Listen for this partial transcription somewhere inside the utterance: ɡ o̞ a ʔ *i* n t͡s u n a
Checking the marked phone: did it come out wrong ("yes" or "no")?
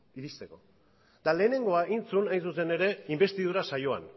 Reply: no